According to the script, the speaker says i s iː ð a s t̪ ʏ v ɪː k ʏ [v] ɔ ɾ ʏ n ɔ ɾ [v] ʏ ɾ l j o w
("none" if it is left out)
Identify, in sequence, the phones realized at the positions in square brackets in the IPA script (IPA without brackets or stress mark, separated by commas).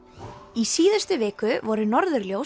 v, ð